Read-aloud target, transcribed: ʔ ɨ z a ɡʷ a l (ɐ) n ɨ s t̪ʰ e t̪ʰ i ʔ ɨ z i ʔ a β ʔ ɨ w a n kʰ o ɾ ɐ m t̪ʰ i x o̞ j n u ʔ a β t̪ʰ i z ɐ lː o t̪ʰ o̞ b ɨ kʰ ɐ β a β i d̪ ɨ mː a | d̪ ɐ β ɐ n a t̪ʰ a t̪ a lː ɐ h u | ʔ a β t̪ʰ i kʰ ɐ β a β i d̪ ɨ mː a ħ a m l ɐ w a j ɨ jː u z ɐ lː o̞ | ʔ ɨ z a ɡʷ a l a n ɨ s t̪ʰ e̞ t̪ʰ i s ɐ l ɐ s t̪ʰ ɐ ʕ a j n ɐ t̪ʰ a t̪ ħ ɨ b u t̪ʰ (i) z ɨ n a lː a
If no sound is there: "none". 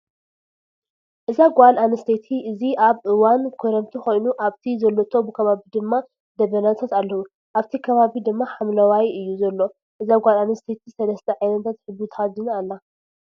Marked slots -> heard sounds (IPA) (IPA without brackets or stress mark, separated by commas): a, a